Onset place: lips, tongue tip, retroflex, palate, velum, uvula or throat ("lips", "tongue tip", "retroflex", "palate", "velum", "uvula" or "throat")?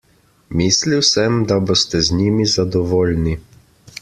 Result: lips